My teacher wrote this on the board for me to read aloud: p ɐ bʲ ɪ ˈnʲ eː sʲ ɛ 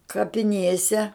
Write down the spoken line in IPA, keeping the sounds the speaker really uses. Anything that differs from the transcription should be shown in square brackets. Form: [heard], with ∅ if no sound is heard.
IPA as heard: [k] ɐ [pʲ] ɪ ˈnʲ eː sʲ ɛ